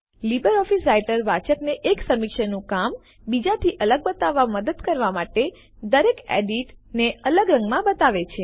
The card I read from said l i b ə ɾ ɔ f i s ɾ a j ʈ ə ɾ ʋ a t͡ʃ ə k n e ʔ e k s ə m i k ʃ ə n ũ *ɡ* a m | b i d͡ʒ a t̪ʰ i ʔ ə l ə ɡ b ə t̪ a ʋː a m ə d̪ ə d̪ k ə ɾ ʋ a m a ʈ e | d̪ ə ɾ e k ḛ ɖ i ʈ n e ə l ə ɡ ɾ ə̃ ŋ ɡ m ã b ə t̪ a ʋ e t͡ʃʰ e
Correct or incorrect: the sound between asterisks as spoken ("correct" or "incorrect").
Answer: incorrect